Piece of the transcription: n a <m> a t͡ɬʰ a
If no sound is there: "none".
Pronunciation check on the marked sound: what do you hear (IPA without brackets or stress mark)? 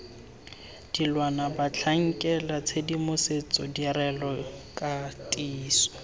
b